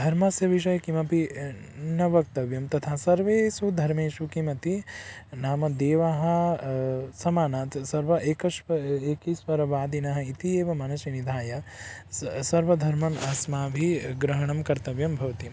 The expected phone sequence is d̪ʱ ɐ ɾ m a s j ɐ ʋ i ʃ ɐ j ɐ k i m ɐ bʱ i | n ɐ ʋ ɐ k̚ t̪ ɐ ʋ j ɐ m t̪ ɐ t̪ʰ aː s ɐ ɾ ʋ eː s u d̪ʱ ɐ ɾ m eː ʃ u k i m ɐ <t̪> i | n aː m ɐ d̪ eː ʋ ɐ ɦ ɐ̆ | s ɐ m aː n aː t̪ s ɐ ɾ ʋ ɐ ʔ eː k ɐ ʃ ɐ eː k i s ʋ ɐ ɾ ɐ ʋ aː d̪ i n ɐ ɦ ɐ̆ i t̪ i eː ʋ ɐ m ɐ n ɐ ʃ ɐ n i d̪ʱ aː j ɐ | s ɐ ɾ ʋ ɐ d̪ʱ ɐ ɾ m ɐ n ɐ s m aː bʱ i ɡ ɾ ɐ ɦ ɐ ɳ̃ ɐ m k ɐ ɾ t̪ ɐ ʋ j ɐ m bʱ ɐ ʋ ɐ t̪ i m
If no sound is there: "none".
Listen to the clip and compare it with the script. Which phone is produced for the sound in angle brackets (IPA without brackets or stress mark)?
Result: t̪